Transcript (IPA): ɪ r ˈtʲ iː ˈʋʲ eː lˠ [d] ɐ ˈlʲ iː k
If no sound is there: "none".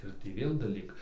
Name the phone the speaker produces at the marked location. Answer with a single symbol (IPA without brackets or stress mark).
d